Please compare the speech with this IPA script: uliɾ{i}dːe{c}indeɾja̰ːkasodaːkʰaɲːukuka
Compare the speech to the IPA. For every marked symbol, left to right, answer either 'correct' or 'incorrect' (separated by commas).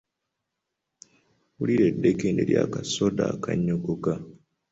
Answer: incorrect, incorrect